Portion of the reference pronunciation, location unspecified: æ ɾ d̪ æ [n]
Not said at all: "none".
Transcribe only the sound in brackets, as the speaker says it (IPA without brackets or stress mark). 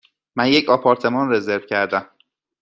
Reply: m